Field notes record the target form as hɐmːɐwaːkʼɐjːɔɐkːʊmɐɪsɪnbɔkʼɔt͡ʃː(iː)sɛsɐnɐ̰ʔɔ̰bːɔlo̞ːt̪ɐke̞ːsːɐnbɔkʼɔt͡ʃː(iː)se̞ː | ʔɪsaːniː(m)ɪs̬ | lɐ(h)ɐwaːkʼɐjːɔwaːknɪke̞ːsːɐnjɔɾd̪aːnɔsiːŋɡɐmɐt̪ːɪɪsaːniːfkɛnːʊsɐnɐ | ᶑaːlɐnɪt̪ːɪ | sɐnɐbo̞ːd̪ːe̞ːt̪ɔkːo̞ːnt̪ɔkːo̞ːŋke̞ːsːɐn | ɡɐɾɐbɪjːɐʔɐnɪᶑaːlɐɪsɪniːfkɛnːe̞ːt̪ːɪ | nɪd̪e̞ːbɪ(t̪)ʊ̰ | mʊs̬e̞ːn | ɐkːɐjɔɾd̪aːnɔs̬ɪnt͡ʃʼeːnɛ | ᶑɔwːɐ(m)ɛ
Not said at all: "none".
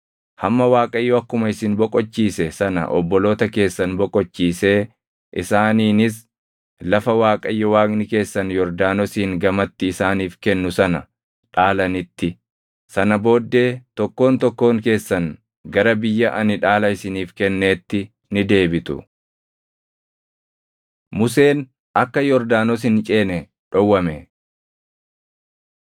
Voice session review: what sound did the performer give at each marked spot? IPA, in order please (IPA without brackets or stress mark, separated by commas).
iː, iː, n, f, t̪, m